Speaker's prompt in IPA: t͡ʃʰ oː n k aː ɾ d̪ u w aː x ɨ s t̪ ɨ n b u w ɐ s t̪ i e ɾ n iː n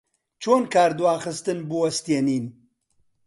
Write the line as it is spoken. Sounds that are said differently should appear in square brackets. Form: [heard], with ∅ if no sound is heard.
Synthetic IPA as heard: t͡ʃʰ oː n k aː ɾ d̪ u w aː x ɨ s t̪ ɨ n b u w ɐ s t̪ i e [∅] n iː n